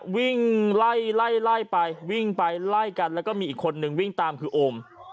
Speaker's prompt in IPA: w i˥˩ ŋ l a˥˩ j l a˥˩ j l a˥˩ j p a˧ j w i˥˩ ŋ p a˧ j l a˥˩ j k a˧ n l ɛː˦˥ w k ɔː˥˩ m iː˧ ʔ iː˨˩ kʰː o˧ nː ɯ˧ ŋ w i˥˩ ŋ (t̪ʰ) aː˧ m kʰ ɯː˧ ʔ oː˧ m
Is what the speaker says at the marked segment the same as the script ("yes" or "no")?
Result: no